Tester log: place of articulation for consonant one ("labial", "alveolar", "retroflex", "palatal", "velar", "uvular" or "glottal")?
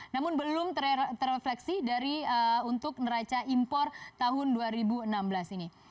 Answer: alveolar